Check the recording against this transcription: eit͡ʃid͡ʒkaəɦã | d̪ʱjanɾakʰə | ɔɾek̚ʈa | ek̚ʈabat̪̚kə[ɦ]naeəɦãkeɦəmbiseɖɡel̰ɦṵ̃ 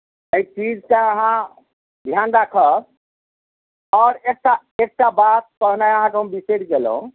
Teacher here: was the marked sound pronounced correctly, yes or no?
yes